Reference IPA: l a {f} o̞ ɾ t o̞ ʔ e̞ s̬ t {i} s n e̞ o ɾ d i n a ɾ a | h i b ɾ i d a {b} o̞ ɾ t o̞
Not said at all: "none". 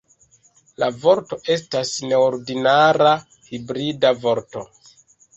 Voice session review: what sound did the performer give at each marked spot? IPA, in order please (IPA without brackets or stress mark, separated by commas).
v, a, v